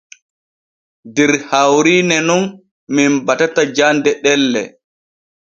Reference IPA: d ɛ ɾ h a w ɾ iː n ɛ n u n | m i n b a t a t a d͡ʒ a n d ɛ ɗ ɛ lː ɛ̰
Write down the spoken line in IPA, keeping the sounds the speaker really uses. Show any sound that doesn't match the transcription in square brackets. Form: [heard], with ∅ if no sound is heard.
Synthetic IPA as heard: d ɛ ɾ h a w ɾ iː n ɛ n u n | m i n b a t a t a d͡ʒ a n d ɛ ɗ ɛ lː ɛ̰